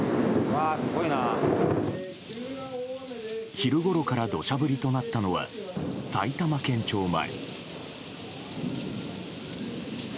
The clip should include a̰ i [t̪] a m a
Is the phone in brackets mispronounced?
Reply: no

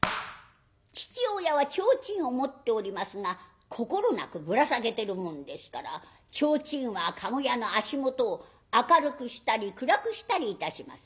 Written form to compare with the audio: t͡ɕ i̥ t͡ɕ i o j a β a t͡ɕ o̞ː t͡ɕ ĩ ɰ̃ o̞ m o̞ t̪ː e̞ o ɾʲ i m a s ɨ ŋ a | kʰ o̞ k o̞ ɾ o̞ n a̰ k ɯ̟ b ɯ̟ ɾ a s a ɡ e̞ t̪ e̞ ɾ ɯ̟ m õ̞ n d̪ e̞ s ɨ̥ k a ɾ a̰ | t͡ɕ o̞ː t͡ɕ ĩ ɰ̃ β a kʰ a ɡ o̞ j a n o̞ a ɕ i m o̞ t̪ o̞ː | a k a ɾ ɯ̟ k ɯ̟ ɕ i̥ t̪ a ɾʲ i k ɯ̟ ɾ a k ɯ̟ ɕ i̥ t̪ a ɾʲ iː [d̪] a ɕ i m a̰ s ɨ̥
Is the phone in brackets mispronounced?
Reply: yes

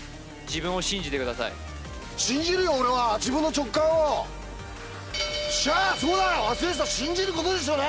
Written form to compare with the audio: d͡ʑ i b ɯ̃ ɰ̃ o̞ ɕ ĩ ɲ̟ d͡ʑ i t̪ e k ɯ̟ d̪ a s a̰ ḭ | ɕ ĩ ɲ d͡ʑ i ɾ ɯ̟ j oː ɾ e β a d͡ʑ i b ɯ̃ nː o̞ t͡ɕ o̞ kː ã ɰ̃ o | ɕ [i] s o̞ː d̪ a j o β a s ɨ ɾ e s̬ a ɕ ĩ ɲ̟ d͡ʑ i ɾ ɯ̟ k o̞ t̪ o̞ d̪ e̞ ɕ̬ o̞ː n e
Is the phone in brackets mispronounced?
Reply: yes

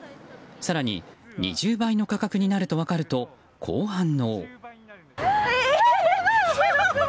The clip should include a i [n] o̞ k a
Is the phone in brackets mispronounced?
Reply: no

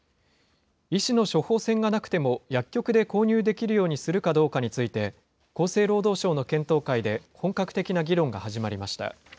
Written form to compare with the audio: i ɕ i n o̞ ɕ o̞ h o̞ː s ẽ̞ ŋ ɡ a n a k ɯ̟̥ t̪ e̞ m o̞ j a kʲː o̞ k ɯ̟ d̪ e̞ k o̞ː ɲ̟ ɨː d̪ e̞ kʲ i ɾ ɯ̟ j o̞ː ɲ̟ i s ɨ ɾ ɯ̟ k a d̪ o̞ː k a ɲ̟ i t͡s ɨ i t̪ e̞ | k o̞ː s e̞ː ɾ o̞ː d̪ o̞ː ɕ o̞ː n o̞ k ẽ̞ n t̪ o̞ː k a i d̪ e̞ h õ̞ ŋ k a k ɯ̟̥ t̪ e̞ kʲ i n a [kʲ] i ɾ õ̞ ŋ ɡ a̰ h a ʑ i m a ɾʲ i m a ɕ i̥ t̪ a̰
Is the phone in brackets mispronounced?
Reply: yes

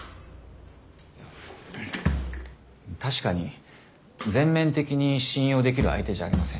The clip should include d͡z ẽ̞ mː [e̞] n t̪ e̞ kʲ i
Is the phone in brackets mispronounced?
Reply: yes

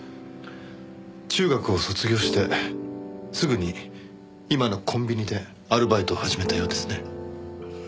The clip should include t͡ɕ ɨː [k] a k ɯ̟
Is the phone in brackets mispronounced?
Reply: yes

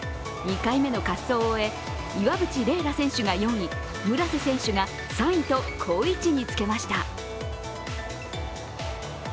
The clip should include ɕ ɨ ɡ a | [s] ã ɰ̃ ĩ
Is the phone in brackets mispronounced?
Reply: no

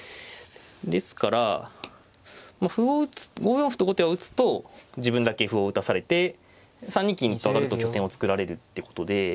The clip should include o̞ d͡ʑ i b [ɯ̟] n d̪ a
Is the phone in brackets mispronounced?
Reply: yes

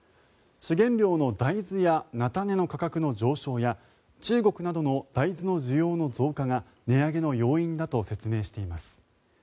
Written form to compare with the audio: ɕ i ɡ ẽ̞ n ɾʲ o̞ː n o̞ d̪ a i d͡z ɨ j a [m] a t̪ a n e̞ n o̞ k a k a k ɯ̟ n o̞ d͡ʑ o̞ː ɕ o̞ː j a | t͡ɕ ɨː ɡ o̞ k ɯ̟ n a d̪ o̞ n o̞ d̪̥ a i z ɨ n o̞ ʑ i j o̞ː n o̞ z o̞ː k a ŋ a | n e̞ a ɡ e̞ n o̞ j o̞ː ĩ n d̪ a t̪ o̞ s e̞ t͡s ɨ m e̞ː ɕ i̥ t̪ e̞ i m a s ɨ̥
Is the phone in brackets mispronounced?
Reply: yes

